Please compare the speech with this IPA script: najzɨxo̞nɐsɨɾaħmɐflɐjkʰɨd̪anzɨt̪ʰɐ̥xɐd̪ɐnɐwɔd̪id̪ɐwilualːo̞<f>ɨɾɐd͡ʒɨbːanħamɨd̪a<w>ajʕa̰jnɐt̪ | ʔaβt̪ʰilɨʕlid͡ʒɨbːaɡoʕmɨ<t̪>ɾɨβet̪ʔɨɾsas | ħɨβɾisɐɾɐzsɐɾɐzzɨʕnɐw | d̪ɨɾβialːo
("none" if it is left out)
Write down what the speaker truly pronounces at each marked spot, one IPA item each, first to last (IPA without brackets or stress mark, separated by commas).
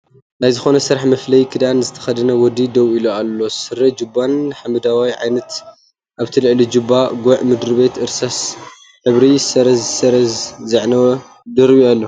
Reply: s, w, d̪